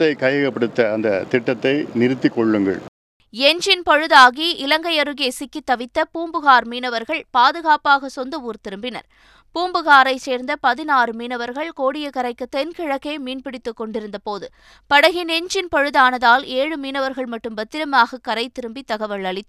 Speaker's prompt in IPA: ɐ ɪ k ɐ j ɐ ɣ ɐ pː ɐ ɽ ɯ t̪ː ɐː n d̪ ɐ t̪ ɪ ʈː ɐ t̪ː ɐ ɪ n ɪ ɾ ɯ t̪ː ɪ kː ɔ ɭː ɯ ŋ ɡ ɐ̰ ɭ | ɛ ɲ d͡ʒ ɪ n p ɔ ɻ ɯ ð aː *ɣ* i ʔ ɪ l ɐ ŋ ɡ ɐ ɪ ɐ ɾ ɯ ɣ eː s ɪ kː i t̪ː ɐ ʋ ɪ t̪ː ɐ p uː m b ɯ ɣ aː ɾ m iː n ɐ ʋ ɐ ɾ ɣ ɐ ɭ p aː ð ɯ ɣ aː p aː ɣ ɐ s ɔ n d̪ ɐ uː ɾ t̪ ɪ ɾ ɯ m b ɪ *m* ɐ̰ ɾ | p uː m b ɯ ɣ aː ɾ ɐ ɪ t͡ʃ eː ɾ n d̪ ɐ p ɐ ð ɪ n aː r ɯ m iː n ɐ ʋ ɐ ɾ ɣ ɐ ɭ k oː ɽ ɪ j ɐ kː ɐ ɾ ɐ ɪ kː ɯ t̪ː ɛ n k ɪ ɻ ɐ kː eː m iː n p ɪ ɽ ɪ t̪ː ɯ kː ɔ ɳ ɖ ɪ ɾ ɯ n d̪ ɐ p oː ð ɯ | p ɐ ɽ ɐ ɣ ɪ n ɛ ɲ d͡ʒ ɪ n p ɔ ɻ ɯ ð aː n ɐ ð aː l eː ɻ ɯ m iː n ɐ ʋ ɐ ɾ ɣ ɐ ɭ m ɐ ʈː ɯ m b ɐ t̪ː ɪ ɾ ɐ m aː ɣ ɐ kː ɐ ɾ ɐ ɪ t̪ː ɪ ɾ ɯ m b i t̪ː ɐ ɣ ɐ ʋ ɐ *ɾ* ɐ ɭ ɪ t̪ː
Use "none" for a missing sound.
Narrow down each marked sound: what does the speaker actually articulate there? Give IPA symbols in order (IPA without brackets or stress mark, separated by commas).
ɣ, n, ɭ